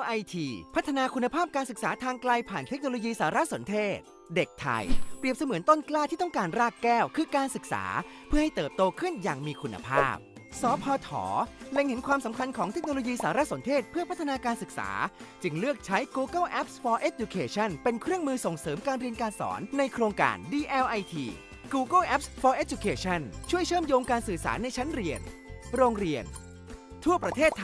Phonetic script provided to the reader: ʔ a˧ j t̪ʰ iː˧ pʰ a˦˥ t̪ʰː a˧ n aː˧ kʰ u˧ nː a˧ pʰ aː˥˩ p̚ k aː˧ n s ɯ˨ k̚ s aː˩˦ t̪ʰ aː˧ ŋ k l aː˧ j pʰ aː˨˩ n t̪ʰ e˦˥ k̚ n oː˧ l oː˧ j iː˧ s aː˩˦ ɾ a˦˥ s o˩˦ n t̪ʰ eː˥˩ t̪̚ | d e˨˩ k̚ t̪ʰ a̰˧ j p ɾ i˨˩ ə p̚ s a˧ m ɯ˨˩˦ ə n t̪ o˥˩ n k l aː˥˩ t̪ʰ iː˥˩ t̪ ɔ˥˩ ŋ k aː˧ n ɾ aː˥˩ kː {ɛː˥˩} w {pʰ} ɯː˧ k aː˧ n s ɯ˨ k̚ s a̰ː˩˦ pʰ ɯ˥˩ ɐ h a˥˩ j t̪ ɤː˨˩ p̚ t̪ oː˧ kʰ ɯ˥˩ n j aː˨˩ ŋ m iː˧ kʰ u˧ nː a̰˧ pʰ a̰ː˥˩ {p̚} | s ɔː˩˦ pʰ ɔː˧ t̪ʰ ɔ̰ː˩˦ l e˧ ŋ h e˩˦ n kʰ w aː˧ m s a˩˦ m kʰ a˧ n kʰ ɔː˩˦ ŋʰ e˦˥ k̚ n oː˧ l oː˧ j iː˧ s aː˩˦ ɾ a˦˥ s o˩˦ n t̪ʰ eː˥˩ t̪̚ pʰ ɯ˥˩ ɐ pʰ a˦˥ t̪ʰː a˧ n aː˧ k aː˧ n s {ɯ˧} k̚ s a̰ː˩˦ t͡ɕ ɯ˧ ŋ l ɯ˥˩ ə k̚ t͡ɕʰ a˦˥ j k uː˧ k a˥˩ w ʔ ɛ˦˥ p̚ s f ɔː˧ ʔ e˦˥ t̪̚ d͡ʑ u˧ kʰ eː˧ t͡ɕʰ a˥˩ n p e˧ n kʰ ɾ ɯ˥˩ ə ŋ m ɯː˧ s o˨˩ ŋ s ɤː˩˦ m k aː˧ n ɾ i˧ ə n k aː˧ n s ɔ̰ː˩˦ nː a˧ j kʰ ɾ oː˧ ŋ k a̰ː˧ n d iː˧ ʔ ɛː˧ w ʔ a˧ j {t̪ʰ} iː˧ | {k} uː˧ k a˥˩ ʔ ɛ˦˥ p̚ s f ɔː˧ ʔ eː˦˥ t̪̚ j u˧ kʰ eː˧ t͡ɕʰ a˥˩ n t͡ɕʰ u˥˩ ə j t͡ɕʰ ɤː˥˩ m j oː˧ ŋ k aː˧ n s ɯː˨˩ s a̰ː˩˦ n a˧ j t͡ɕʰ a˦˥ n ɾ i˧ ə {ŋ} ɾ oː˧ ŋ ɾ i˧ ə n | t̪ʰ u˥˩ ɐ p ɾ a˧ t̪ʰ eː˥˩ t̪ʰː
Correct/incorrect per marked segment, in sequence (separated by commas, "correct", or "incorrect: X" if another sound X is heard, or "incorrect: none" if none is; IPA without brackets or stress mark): correct, incorrect: kʰ, correct, incorrect: ɯ˨˩, correct, correct, incorrect: n